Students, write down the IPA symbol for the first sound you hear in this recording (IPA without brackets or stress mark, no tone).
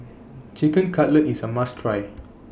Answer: t͡ʃ